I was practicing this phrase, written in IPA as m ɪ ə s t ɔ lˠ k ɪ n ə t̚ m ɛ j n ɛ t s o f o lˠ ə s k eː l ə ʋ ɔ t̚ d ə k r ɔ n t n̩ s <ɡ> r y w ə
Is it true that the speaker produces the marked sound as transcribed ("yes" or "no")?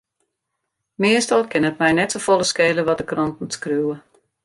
no